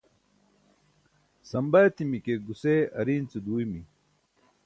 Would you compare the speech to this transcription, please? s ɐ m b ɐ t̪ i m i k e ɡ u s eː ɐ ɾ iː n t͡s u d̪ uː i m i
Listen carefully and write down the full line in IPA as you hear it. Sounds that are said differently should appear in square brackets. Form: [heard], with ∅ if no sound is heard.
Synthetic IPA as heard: s ɐ m b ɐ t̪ i m i k e ɡ u s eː ɐ ɾ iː n t͡s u d̪ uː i m i